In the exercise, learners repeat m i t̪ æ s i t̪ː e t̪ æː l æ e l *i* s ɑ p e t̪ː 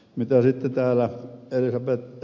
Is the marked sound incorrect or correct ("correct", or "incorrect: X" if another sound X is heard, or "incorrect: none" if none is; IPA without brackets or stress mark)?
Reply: correct